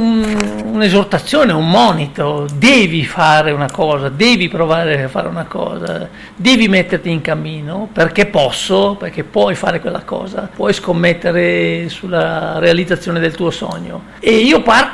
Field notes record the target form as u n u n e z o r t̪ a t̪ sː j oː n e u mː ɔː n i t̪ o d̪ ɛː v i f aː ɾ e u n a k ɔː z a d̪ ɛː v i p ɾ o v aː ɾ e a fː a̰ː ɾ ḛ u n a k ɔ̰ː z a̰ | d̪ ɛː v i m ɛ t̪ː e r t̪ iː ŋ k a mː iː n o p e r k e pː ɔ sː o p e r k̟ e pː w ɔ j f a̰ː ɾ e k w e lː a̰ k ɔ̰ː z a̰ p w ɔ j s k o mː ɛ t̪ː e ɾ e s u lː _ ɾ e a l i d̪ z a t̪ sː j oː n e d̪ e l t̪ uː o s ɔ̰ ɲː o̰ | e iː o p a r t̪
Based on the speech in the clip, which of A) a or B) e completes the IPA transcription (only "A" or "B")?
A